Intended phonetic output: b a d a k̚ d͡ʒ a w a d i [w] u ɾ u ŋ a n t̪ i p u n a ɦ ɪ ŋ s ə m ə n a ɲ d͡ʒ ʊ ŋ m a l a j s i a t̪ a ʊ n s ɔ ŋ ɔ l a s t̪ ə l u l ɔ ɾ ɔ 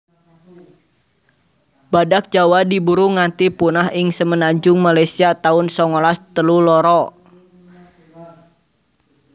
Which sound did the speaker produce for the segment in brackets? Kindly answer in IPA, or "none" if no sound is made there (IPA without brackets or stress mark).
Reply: b